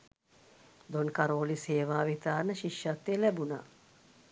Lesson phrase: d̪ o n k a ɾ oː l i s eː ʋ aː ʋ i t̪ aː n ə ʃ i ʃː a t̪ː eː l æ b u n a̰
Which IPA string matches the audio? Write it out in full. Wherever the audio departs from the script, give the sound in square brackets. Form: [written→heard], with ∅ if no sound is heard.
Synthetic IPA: d̪ o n k a ɾ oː l i s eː ʋ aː ʋ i t̪ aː n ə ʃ i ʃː a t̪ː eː l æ b u n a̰